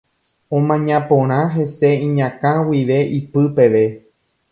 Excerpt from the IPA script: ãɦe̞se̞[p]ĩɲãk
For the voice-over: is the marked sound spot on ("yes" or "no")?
no